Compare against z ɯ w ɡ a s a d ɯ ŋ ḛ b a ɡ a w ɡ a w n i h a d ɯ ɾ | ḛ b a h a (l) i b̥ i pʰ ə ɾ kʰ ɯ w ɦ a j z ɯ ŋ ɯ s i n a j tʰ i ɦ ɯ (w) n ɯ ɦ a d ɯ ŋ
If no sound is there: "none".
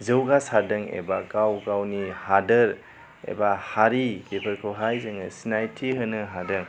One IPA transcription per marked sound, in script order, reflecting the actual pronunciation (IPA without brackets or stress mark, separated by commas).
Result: ɾ, none